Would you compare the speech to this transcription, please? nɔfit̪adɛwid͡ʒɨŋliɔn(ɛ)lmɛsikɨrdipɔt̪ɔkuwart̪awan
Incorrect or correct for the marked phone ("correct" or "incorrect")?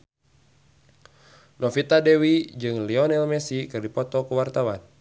correct